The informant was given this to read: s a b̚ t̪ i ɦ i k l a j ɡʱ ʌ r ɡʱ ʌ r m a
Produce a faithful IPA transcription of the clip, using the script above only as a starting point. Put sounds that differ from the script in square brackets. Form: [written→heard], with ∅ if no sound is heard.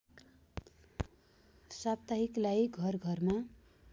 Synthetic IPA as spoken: s a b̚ t̪ [i→a] ɦ i k l a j ɡʱ ʌ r ɡʱ ʌ r m a